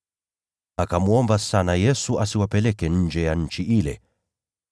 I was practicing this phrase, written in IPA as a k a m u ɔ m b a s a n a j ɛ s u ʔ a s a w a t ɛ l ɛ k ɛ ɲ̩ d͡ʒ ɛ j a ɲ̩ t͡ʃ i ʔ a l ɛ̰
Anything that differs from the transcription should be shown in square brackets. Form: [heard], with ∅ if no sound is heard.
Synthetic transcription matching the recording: a k a m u ɔ m b a s a n a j ɛ s u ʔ a s [i] w a [p] ɛ l ɛ k ɛ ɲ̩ d͡ʒ ɛ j a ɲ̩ t͡ʃ i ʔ [i] l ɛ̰